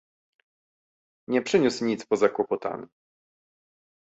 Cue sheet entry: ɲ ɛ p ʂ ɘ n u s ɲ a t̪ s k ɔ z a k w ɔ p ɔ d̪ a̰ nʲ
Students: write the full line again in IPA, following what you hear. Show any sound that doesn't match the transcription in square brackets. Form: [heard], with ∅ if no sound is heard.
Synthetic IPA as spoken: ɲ ɛ p ʂ ɘ [ɲ] u s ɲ [i] t̪ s [p] ɔ z a k w ɔ p ɔ [t̪] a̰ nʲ